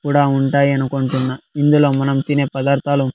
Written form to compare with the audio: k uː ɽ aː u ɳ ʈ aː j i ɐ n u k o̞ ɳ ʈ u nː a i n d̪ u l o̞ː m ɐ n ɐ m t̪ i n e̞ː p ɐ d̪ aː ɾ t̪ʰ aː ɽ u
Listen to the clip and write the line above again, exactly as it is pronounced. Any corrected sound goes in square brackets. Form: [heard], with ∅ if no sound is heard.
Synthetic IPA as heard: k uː ɽ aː u ɳ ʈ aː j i ɐ n u k o̞ ɳ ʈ u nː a i n d̪ u l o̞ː m ɐ n ɐ m t̪ i n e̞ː p ɐ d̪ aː ɾ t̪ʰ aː [l] u